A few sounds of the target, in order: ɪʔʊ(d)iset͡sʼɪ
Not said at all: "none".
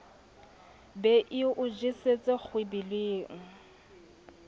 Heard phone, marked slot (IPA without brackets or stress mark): d͡ʒ